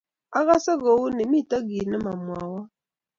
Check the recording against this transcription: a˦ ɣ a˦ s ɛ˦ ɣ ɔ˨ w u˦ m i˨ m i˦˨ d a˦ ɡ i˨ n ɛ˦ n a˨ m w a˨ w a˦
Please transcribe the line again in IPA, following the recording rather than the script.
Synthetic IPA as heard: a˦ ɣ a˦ s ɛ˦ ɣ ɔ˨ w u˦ n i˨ m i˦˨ t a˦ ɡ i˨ n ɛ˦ m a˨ m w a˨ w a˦